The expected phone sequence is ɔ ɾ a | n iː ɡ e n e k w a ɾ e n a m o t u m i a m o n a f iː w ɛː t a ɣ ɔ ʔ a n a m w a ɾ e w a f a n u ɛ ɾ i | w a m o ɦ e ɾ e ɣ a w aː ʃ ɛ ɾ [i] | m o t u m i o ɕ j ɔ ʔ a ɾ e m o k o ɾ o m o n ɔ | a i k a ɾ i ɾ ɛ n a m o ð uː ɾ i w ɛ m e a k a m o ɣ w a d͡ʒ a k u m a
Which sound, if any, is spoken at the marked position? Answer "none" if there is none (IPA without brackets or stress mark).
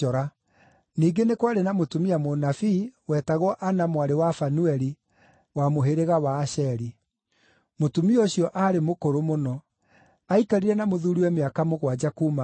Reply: i